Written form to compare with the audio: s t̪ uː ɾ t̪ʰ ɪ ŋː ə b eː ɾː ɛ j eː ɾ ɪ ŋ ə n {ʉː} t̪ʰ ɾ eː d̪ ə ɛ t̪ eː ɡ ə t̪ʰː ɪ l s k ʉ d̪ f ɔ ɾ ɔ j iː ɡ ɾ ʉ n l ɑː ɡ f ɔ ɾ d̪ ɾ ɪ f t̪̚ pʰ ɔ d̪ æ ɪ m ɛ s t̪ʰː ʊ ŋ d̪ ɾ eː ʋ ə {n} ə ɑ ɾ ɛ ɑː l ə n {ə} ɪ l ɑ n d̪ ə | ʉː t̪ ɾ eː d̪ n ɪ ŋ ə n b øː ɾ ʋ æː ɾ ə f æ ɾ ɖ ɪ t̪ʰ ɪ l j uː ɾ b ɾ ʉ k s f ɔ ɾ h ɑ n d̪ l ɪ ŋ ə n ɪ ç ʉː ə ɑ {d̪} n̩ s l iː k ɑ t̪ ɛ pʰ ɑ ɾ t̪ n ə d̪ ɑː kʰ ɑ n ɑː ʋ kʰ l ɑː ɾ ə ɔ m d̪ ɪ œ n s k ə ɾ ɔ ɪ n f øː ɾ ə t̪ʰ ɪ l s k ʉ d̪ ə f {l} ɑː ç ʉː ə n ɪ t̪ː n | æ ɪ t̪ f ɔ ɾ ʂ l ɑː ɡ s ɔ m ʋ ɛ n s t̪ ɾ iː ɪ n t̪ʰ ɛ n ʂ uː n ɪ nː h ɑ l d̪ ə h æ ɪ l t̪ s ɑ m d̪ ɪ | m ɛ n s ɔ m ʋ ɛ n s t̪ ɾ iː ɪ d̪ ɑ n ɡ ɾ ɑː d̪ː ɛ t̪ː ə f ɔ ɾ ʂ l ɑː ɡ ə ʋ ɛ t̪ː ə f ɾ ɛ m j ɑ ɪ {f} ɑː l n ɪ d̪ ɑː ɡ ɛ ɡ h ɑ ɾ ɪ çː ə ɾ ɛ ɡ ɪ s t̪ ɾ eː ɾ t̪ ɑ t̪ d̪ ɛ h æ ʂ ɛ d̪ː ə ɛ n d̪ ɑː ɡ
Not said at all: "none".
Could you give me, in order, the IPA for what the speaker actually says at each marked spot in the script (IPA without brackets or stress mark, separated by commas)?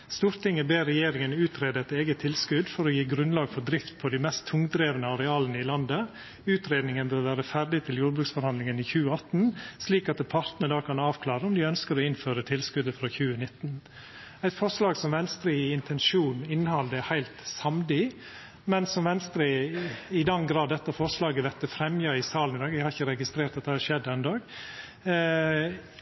ʉː, n, ə, t̪, ɾ, s